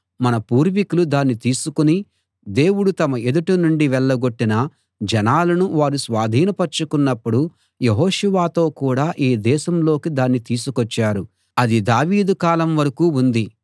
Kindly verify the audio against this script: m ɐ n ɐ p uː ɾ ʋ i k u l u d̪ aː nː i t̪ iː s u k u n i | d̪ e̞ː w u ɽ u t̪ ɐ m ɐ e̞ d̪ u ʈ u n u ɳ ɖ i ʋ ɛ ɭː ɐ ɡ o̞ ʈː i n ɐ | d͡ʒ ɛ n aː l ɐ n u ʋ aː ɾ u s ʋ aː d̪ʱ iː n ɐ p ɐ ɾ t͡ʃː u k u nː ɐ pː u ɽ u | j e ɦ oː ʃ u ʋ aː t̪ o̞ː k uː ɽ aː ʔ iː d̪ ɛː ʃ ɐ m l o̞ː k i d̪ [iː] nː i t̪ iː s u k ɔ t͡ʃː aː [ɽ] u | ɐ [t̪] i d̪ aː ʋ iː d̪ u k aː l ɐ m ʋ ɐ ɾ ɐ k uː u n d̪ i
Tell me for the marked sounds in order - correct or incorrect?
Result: incorrect: aː, incorrect: ɾ, incorrect: d̪

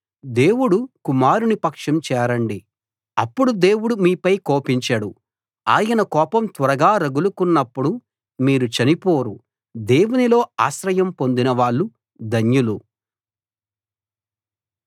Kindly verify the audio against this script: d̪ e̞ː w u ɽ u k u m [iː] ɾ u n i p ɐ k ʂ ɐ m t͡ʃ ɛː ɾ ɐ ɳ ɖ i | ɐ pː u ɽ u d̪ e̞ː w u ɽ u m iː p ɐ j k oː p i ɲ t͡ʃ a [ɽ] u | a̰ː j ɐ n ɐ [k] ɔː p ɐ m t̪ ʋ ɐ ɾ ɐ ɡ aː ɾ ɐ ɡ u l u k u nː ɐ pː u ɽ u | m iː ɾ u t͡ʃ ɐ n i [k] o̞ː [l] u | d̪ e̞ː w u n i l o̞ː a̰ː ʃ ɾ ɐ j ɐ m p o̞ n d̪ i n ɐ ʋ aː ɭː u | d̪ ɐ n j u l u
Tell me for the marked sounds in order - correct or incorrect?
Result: incorrect: aː, correct, correct, incorrect: p, incorrect: ɾ

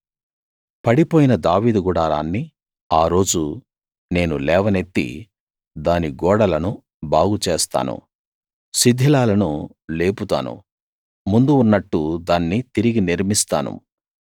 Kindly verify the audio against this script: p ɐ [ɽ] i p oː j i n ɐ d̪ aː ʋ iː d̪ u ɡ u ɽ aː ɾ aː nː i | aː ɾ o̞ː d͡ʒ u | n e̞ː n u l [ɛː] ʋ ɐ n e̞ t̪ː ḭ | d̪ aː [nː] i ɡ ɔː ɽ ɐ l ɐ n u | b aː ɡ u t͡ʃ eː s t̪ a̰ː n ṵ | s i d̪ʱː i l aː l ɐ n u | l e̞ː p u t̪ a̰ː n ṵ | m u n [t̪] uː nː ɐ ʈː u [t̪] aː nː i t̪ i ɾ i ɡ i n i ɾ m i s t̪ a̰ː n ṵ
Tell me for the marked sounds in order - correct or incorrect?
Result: correct, correct, incorrect: n, incorrect: d̪, incorrect: d̪

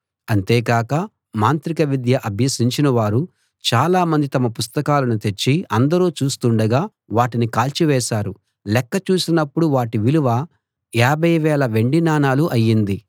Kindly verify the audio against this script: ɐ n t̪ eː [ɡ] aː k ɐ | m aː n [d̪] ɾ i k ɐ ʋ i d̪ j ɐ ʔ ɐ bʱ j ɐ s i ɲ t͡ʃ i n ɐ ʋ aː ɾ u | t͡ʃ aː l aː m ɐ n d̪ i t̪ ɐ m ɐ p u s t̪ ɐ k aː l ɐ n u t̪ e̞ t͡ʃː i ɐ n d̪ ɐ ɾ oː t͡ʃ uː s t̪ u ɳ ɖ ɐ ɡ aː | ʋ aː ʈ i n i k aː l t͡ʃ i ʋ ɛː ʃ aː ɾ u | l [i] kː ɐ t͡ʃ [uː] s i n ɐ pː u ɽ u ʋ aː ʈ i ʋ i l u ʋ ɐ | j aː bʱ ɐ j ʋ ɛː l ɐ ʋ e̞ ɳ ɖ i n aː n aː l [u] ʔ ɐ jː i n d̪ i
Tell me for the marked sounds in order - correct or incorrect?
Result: incorrect: k, incorrect: t̪, incorrect: ɛ, correct, correct

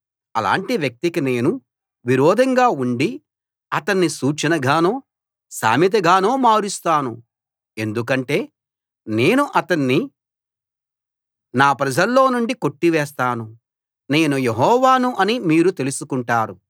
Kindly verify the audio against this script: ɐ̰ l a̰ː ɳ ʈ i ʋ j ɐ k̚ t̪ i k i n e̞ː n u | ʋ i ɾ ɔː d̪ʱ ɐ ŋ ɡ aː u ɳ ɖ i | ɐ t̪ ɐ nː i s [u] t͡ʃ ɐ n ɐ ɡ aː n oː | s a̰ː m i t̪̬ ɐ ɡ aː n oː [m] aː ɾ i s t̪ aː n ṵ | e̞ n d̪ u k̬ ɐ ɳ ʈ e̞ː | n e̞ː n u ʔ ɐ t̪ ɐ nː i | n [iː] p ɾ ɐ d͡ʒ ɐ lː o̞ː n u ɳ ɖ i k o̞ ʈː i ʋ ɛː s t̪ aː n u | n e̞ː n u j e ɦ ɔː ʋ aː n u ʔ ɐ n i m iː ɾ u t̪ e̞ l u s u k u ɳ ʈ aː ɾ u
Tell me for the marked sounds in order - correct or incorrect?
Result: incorrect: uː, correct, incorrect: aː

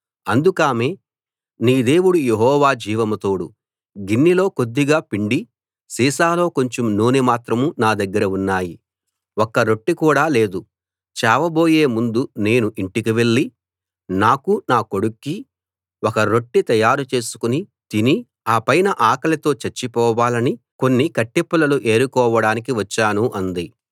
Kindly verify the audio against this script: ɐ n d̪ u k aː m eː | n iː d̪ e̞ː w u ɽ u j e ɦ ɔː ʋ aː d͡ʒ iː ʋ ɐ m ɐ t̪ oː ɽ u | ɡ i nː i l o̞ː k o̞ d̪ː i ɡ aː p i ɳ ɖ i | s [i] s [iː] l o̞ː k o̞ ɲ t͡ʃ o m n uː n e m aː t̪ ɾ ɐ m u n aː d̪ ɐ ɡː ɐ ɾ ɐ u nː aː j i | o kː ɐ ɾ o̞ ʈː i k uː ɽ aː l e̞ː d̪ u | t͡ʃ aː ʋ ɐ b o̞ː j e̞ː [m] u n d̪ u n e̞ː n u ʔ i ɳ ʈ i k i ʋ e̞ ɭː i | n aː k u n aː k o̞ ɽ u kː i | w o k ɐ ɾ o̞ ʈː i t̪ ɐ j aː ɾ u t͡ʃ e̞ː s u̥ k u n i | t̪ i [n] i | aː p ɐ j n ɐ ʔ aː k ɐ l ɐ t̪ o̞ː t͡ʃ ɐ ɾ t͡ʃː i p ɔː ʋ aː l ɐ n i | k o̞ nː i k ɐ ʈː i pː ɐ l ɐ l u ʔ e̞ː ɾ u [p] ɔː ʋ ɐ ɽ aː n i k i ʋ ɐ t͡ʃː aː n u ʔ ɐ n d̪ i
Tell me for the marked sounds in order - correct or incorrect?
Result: incorrect: iː, incorrect: aː, correct, correct, incorrect: k

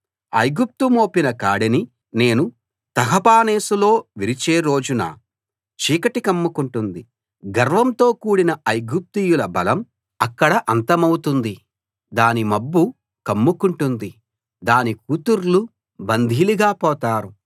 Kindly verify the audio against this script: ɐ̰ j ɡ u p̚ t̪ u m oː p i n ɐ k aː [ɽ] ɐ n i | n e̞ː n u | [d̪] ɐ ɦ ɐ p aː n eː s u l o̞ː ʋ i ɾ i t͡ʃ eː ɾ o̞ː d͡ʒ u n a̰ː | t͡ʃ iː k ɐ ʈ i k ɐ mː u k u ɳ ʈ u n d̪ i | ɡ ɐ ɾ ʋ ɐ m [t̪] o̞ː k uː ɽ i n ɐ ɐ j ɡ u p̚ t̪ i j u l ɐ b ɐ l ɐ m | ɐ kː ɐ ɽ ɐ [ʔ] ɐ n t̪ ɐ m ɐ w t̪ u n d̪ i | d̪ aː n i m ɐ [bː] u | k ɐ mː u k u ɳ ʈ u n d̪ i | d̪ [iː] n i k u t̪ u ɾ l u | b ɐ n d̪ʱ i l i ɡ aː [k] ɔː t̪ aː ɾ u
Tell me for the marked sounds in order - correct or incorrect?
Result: correct, incorrect: t̪, correct, correct, correct, incorrect: aː, incorrect: p

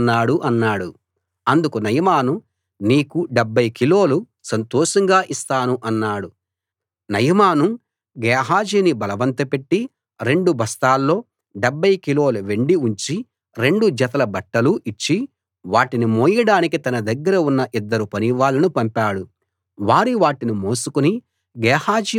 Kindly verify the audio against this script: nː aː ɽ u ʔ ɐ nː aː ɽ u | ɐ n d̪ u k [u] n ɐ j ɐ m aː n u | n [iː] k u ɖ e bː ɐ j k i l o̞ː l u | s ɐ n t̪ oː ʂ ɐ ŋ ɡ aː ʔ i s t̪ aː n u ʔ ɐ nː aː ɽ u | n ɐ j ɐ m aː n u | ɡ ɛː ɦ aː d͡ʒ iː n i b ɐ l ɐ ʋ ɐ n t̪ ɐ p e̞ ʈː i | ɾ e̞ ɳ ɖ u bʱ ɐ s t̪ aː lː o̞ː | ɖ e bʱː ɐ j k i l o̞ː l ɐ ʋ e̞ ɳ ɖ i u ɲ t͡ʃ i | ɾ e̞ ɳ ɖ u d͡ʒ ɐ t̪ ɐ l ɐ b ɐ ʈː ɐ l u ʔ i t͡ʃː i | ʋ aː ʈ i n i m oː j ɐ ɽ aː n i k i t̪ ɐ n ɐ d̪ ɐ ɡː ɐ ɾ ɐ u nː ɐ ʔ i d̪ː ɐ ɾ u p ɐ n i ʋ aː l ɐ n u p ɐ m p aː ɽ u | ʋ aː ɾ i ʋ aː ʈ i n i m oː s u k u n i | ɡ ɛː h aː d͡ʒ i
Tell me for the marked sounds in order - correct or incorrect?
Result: correct, correct

